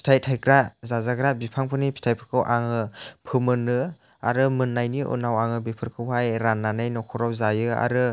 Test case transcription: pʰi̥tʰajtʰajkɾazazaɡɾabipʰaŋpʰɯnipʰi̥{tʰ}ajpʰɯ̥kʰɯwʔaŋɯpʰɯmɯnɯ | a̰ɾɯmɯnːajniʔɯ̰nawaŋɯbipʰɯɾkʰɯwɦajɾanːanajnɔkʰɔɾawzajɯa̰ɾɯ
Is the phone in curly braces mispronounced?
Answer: no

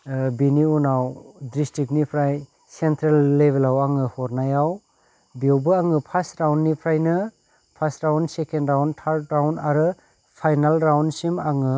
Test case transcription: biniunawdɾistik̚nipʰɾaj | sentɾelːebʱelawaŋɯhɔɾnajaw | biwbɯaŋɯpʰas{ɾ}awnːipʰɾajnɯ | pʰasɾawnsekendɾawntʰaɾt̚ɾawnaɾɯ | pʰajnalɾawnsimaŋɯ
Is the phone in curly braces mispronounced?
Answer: no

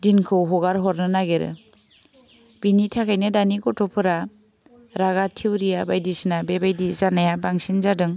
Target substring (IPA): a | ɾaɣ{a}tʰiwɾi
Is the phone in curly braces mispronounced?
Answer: no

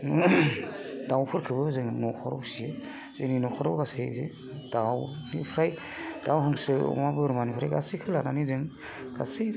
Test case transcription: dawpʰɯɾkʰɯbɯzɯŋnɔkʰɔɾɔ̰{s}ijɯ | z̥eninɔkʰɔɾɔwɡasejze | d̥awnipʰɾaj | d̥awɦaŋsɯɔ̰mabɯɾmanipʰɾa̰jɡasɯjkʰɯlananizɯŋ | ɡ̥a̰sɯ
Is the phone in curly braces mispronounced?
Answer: no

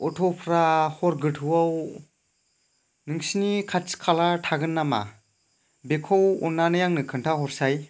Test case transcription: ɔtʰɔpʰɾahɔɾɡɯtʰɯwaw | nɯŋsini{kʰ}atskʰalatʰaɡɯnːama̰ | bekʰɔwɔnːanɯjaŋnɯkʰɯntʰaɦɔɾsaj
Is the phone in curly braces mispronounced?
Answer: no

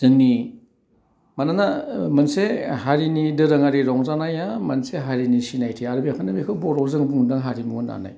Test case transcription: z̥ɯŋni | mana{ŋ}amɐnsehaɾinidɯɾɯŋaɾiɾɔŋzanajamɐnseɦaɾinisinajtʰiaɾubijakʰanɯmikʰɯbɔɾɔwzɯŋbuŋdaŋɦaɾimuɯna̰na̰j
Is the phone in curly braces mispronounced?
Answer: yes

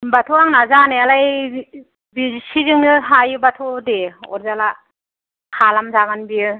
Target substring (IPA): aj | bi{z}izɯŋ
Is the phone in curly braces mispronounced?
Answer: yes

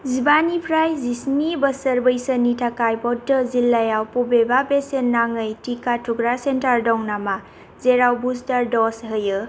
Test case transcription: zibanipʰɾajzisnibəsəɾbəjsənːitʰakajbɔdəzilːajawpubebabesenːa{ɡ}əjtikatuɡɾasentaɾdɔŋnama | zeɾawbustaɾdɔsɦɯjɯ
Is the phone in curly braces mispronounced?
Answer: yes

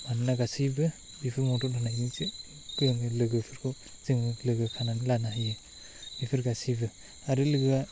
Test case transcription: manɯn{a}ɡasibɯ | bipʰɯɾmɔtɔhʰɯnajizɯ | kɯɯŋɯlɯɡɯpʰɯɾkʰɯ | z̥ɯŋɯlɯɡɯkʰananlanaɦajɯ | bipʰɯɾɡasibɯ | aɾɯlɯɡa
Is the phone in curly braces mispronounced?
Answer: no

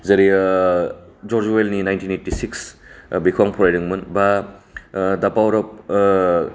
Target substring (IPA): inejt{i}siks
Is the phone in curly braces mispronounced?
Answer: no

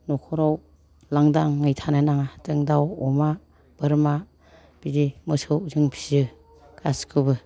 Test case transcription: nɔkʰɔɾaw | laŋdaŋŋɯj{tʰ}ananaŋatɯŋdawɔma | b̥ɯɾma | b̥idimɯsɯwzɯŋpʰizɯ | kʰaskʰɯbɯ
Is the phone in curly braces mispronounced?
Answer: no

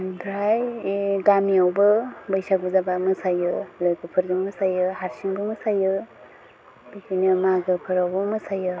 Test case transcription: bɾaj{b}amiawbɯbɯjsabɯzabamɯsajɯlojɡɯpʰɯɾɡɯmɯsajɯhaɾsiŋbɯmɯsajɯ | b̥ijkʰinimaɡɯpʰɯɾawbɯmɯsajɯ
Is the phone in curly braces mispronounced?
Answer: yes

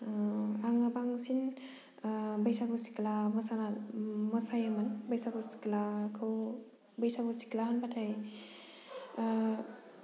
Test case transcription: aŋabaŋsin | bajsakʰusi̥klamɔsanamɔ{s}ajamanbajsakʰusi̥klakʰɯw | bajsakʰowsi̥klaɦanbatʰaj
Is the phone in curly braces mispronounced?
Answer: no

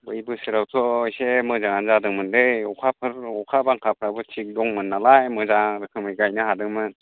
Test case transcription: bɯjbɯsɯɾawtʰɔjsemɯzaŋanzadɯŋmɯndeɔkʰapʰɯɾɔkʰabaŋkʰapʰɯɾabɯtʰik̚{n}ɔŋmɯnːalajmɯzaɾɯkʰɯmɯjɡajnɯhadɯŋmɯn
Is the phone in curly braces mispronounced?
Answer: yes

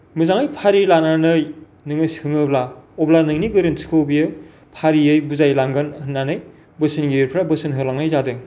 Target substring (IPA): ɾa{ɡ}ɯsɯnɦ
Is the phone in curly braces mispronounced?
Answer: yes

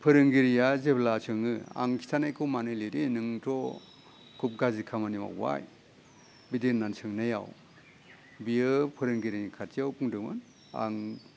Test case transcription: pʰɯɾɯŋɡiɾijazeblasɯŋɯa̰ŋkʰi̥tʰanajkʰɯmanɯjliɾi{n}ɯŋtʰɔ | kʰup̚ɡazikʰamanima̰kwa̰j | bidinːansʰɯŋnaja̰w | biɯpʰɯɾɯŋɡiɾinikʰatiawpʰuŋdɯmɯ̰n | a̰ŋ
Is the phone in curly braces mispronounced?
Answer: no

